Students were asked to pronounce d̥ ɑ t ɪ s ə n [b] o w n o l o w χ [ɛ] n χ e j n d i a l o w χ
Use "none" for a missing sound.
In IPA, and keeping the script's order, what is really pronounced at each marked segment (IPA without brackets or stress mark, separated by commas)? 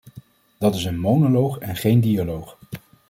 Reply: m, ɛ